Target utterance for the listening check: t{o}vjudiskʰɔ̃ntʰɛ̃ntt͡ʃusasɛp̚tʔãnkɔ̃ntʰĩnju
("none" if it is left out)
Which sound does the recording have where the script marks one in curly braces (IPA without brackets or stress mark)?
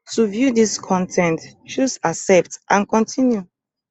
u